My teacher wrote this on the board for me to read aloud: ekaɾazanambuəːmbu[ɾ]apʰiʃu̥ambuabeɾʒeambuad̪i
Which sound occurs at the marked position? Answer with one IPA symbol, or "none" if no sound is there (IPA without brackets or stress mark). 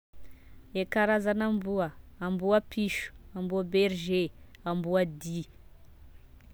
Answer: none